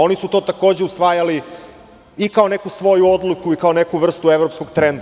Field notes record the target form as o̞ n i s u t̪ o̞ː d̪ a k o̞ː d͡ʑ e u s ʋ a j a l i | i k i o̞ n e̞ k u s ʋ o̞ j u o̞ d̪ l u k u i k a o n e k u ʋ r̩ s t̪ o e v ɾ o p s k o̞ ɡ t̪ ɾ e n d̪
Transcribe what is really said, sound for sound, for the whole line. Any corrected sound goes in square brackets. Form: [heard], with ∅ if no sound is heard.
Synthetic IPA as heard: o̞ n i s u t̪ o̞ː [t̪] a k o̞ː d͡ʑ e u s ʋ a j a l i | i k [a] o̞ n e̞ k u s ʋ o̞ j u o̞ d̪ l u k u i k a o n e k u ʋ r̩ s t̪ [u] e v ɾ o p s k o̞ ɡ t̪ ɾ e n d̪